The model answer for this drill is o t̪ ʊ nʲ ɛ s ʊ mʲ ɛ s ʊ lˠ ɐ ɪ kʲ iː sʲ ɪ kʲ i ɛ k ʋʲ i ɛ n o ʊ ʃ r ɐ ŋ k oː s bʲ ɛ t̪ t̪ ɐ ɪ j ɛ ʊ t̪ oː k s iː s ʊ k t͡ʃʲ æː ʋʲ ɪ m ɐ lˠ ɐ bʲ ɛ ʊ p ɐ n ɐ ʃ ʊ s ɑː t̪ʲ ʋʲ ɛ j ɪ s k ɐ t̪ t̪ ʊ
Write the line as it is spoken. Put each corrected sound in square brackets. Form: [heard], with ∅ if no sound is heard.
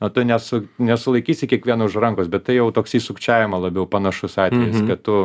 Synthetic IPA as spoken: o t̪ ʊ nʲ ɛ s ʊ [nʲ] ɛ s ʊ lˠ ɐ ɪ kʲ iː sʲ ɪ kʲ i ɛ k ʋʲ i ɛ n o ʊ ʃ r ɐ ŋ k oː s bʲ ɛ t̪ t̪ ɐ ɪ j ɛ ʊ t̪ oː k s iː s ʊ k t͡ʃʲ æː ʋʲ ɪ m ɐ lˠ ɐ bʲ ɛ ʊ p ɐ n ɐ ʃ ʊ s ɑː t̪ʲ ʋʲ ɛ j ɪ s k ɐ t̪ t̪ ʊ